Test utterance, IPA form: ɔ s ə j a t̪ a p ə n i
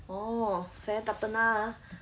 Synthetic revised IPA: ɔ s a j a t̪ a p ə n a